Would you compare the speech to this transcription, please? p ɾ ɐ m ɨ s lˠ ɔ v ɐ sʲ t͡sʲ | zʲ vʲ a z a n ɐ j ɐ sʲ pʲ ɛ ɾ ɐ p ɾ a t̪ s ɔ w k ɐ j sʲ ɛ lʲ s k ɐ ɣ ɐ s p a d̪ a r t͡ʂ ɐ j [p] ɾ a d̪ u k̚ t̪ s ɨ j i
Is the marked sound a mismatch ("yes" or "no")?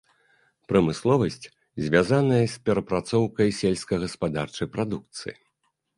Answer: no